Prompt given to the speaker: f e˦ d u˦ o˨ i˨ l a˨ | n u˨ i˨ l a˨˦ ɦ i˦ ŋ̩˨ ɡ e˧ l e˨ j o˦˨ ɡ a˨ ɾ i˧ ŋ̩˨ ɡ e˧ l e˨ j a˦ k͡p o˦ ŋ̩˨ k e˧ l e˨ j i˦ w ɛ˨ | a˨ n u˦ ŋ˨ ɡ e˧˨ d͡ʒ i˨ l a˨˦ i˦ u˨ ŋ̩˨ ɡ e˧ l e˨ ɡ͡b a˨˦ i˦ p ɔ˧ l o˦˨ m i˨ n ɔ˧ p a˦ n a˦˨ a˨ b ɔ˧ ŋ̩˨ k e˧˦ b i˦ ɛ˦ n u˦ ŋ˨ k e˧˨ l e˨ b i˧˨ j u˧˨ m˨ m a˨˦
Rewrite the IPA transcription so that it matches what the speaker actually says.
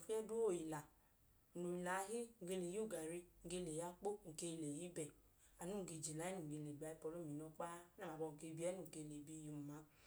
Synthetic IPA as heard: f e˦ d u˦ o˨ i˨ l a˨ | n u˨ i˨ l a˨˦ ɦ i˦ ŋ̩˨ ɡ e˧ l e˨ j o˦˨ ɡ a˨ ɾ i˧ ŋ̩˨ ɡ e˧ l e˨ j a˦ k͡p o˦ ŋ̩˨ k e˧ l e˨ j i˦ b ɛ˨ | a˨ n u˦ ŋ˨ ɡ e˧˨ d͡ʒ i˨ l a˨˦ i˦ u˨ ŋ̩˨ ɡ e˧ l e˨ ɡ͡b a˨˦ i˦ p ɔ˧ l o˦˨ m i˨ n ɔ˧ k͡p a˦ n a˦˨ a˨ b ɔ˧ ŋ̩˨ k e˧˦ b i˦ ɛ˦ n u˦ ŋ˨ k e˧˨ l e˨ b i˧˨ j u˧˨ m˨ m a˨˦

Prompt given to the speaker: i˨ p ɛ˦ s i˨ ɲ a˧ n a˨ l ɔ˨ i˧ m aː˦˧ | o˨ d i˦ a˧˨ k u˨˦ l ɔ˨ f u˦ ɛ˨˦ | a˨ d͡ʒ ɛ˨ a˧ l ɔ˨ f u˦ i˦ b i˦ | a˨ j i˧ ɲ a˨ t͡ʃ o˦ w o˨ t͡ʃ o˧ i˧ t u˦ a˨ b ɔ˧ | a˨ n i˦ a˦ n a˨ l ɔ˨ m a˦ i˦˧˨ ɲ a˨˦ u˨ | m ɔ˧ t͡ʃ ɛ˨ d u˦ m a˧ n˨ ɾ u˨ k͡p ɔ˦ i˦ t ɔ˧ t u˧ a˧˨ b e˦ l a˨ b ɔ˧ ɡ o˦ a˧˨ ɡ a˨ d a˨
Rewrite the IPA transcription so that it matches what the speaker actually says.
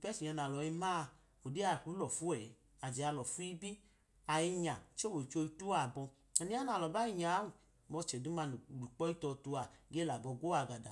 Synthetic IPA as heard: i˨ p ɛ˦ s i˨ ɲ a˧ n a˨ l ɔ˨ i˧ m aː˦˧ | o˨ d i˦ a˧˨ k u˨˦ l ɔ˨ f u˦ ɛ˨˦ | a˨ d͡ʒ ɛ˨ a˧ l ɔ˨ f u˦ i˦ b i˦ | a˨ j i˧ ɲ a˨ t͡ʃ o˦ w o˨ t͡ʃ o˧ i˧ t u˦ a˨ b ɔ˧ | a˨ n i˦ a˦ n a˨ l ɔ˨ b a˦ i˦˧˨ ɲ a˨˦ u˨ | m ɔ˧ t͡ʃ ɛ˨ d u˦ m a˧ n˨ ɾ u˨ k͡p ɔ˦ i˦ t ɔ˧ t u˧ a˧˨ ɡ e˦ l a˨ b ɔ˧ ɡ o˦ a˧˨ ɡ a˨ d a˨

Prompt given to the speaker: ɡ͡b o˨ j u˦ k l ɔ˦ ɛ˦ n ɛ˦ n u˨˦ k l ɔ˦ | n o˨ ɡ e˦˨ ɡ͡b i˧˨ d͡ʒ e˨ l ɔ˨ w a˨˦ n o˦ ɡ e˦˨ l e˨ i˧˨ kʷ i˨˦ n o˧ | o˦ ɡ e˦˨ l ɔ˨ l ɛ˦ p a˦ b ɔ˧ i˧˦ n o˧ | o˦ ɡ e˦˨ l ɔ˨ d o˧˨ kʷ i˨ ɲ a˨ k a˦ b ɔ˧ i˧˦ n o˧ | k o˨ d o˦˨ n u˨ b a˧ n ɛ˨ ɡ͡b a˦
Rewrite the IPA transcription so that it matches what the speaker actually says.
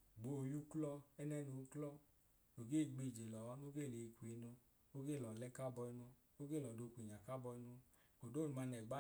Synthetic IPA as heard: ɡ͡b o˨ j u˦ k l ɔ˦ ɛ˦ n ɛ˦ n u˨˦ k l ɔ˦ | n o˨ ɡ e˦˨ ɡ͡b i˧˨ d͡ʒ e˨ l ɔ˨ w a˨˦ n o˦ ɡ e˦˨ l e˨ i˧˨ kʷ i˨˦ n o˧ | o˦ ɡ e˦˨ l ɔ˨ l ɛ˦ k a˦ b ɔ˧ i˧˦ n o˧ | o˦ ɡ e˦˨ l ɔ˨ d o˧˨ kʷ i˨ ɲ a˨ k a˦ b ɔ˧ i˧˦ n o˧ | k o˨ d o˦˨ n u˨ m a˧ n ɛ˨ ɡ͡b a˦

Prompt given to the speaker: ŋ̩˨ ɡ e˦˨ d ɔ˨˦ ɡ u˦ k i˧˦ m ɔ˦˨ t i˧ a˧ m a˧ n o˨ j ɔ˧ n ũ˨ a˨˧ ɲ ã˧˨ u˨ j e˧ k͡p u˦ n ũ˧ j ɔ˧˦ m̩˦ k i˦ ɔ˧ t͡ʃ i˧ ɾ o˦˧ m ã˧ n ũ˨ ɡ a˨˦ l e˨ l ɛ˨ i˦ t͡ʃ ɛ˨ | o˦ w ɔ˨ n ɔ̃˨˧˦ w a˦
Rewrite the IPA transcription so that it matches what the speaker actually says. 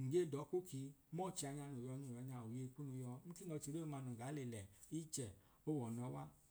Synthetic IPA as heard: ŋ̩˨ ɡ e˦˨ d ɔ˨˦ k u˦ k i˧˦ m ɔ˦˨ t͡ʃ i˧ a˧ ɲ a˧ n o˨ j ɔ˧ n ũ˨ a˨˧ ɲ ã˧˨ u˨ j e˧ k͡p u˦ n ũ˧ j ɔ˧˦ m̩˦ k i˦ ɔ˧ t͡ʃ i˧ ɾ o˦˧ m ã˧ n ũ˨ ɡ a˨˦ l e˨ l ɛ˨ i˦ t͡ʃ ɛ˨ | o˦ w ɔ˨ n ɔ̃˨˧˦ w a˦

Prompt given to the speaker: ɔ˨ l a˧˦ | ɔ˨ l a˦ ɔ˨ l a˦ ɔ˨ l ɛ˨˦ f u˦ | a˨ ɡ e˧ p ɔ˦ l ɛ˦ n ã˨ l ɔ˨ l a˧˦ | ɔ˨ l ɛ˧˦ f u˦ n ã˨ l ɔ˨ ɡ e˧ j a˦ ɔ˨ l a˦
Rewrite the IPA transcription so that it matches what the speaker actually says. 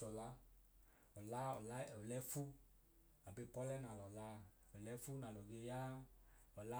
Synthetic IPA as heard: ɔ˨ l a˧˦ | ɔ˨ l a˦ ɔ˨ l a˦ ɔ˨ l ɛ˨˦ f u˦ | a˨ b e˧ p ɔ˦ l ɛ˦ n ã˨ l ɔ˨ l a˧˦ | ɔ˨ l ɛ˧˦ f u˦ n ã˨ l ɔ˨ ɡ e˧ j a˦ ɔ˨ l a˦

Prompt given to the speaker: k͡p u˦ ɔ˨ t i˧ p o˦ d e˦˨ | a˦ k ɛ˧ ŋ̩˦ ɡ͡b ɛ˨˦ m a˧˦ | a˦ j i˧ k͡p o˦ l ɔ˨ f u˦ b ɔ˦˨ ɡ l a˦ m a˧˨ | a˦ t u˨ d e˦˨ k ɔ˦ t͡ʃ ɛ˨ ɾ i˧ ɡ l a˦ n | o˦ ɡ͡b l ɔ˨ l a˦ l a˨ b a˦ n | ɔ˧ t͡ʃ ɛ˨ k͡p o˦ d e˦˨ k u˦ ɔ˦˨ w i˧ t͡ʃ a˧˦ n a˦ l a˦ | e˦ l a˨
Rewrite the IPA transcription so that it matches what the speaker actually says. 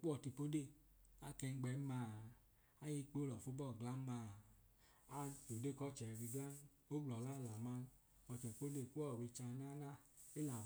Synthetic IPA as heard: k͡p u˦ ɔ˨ t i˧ p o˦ d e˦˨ | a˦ k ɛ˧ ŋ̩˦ ɡ͡b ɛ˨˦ m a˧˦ | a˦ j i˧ k͡p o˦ l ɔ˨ f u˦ b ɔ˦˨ ɡ l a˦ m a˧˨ | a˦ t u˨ d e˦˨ k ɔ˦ t͡ʃ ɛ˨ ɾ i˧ ɡ l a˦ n | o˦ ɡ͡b l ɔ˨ l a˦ l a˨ m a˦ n | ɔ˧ t͡ʃ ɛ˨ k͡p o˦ d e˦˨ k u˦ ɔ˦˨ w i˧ t͡ʃ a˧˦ n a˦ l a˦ | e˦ l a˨

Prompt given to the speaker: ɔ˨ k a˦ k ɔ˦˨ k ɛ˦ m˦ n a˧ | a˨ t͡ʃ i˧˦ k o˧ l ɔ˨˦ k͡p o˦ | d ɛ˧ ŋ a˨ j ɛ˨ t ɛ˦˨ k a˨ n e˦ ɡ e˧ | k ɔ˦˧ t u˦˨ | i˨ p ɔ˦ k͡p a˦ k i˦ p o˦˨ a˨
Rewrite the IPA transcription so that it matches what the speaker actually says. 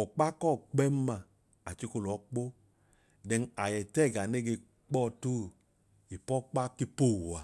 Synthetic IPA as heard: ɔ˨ k͡p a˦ k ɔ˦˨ k͡p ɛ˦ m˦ m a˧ | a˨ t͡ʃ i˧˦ k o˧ l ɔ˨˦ k͡p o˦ | d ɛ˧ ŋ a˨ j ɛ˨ t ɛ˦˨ ɡ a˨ n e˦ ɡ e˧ | k͡p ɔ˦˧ t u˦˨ | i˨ p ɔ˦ k͡p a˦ k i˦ p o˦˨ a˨

